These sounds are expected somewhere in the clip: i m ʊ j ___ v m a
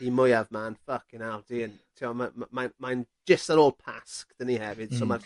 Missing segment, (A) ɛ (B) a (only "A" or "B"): B